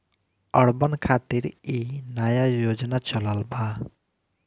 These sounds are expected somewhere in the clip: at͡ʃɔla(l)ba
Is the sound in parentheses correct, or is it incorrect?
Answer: correct